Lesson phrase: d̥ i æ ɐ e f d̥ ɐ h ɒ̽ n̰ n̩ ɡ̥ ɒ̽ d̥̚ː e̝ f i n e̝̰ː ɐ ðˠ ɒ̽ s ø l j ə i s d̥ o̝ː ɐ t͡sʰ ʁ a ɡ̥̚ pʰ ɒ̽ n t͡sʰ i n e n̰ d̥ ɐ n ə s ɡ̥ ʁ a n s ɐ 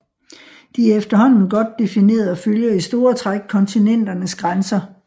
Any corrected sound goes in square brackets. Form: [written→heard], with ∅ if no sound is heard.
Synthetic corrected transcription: d̥ i æ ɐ e f d̥ ɐ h ɒ̽ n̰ n̩ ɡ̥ ɒ̽ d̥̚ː e̝ f i n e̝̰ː ɐ ðˠ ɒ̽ [s→f] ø l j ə i s d̥ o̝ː ɐ t͡sʰ ʁ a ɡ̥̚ [pʰ→kʰ] ɒ̽ n t͡sʰ i n e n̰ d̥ ɐ n ə s ɡ̥ ʁ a n s ɐ